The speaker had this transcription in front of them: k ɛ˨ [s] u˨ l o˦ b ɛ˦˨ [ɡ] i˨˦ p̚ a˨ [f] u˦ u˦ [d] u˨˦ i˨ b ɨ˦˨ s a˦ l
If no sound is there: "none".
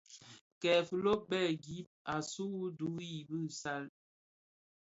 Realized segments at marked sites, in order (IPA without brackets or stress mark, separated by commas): f, ɡ, s, d